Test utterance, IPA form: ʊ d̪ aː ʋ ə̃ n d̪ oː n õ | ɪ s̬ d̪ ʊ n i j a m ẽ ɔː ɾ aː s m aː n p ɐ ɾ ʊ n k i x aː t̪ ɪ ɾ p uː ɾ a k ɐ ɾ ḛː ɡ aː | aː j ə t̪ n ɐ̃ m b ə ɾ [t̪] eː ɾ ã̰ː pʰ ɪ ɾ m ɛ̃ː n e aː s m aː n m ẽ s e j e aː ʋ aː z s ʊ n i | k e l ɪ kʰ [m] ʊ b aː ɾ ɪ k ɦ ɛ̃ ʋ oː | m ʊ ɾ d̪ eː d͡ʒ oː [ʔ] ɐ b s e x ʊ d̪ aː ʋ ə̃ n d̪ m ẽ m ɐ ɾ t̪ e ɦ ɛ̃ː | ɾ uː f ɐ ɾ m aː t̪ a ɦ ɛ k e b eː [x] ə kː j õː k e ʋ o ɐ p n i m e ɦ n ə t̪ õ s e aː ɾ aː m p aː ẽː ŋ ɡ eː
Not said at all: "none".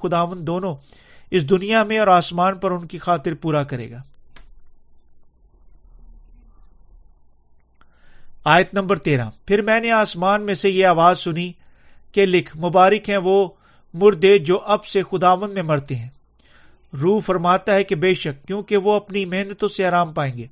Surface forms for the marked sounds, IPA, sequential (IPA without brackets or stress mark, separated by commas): t̪, m, ʔ, ʃ